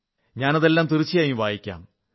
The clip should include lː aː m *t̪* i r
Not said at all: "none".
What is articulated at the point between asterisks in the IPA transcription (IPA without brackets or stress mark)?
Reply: t̪